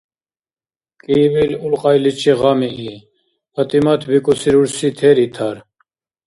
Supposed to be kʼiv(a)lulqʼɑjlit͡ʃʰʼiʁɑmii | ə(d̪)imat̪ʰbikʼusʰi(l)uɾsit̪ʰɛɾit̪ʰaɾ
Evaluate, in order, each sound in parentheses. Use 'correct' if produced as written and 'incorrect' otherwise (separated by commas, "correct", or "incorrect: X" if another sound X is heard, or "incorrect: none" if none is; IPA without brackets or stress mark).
incorrect: i, incorrect: t̪, incorrect: ɾ